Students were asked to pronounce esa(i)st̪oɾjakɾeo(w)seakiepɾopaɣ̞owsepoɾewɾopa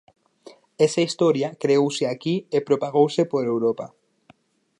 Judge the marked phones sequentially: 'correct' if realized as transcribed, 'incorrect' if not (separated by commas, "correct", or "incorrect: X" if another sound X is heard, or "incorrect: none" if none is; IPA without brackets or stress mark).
correct, correct